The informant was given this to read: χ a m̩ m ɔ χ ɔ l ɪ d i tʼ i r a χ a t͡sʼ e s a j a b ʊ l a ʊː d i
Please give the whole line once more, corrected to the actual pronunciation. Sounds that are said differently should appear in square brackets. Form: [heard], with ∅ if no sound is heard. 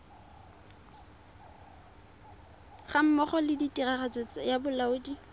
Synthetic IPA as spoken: χ a m̩ m ɔ χ ɔ l ɪ d i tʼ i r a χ a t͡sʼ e [t͡s] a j a b ʊ l a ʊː d i